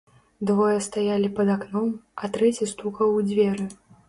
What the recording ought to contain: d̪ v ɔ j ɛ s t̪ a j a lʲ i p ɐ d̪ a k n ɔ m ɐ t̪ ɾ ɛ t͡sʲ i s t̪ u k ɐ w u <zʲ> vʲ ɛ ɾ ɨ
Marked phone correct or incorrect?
incorrect